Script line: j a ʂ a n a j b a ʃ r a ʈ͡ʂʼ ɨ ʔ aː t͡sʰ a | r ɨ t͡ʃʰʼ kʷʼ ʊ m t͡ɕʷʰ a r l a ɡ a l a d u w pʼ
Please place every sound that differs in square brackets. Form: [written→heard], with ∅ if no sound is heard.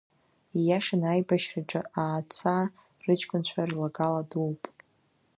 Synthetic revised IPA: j a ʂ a n a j b a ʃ r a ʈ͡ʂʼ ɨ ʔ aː t͡sʰ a | r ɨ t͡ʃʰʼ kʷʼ ʊ [m→n] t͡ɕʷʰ a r l a ɡ a l a d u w pʼ